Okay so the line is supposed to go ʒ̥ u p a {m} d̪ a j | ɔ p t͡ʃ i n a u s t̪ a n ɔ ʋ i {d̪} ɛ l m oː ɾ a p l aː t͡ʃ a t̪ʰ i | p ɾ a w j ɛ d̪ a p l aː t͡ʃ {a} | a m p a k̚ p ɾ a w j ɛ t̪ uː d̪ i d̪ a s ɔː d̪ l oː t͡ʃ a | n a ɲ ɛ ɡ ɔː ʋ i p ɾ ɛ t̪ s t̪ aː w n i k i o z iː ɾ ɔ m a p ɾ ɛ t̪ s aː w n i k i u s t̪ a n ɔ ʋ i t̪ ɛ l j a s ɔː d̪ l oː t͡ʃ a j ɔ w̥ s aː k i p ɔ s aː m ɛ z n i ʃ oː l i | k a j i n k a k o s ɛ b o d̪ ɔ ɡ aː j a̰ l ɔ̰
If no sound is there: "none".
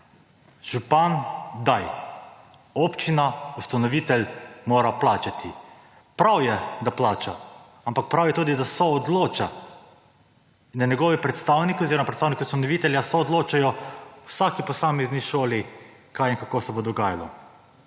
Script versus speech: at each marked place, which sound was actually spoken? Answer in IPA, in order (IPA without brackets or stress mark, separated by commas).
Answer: n, t̪, a